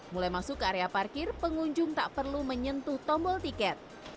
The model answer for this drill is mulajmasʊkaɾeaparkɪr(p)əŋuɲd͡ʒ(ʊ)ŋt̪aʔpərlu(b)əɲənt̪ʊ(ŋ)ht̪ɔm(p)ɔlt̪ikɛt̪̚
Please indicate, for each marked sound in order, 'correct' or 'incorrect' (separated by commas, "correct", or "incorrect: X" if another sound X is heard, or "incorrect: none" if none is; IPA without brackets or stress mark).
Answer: correct, correct, incorrect: m, incorrect: none, incorrect: b